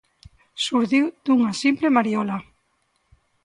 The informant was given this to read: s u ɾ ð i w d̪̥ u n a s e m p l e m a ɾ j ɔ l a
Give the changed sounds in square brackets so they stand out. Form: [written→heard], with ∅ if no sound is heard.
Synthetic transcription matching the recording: s u ɾ ð i w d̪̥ u [n→ŋ] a s [e→i] m p l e m a ɾ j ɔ l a